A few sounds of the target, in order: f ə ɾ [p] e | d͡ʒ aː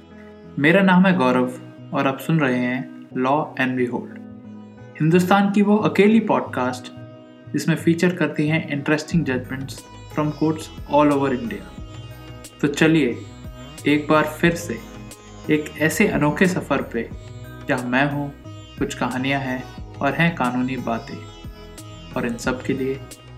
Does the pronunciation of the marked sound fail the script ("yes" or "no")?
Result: no